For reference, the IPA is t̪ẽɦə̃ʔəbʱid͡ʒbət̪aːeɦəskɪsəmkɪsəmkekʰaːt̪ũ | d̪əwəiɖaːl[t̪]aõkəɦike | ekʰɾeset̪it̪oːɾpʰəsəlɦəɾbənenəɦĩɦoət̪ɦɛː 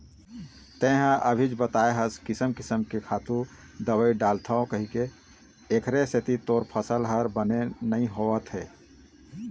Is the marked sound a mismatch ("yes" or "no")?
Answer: yes